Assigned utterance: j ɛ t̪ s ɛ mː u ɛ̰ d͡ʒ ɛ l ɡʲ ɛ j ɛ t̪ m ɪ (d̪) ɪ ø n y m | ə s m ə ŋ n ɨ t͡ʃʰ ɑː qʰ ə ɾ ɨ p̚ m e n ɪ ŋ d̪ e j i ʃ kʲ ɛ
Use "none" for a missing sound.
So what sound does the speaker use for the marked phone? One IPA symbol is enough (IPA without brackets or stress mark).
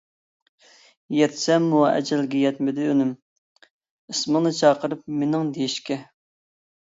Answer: d̪